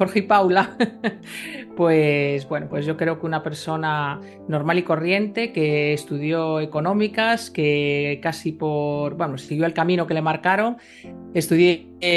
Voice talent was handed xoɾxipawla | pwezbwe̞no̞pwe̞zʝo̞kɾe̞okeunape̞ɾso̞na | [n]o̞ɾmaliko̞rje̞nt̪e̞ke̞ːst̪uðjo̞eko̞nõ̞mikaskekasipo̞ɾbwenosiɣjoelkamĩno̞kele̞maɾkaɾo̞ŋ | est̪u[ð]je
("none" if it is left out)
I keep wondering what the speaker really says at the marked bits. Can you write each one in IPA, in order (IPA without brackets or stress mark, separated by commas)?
n, ð